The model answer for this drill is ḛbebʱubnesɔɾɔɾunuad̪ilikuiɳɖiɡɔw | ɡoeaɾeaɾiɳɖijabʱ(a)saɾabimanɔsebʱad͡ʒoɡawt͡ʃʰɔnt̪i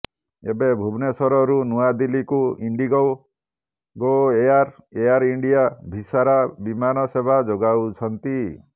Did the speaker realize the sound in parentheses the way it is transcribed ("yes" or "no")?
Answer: no